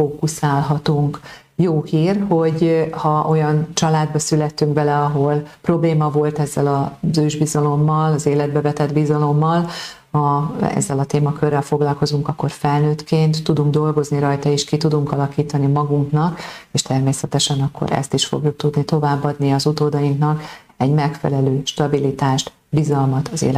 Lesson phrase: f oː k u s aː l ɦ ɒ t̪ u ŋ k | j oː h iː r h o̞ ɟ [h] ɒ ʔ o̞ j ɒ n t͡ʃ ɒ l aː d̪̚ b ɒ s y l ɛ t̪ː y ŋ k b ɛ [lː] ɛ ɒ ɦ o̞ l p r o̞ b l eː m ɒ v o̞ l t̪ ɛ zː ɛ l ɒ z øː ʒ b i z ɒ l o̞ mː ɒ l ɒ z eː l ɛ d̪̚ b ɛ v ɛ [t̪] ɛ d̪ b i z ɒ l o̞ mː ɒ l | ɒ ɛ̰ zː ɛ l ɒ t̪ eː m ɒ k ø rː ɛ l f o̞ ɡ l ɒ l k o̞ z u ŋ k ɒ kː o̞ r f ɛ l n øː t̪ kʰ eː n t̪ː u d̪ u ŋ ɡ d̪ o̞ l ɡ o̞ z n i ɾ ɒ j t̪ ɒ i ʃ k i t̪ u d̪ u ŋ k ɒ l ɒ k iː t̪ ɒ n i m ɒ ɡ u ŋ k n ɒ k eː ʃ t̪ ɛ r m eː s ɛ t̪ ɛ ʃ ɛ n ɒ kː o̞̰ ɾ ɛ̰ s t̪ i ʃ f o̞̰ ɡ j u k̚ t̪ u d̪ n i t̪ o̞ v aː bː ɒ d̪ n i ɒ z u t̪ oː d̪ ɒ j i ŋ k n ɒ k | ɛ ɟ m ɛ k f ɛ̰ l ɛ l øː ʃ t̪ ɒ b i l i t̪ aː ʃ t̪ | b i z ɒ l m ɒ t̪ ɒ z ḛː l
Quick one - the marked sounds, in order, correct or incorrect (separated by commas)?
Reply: correct, incorrect, correct